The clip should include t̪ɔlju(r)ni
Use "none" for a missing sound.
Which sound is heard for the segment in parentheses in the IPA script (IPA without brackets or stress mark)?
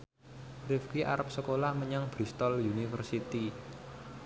none